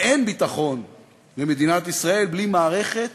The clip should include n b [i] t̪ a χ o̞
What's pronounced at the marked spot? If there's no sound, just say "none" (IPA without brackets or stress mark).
i